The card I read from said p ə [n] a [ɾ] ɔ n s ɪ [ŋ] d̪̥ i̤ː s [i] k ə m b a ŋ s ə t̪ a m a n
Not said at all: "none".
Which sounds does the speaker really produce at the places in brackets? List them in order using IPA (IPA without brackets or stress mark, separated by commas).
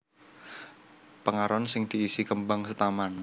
ŋ, ɾ, ŋ, i